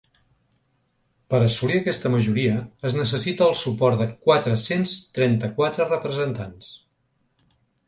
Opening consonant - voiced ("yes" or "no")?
no